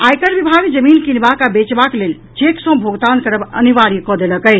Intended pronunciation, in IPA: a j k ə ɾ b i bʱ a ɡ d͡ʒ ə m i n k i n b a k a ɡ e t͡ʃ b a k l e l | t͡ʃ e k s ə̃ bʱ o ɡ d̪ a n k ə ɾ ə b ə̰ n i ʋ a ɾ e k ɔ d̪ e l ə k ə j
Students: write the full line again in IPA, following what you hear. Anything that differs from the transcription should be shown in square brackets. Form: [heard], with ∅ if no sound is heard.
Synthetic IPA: a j k ə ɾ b i bʱ a ɡ d͡ʒ ə m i n k i n b a k a [b] e t͡ʃ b a k l e l | t͡ʃ e k s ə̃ bʱ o ɡ [t̪] a n k ə ɾ ə b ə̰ n i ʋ a ɾ [i] k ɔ d̪ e l ə k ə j